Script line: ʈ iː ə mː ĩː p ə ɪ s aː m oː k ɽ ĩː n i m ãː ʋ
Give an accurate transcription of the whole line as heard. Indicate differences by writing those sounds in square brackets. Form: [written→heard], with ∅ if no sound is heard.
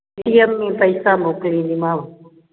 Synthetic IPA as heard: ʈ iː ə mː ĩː p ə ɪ s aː m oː k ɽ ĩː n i m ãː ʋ